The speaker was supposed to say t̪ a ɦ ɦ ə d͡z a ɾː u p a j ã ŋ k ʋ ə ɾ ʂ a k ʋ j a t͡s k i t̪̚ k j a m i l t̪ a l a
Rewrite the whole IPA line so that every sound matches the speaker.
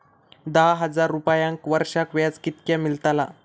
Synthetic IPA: d̪ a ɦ ɦ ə d͡z a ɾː u p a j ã ŋ k ʋ ə ɾ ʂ a k ʋ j a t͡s k i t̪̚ k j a m i l t̪ a l a